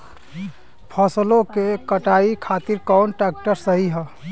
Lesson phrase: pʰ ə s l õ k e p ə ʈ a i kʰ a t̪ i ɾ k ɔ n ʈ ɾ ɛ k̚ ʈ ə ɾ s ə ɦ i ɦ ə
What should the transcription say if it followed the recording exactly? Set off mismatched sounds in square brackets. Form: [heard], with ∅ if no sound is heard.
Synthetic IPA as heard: pʰ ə s l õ k e [k] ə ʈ a i kʰ a t̪ i ɾ k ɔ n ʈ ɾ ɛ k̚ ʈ ə ɾ s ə ɦ i ɦ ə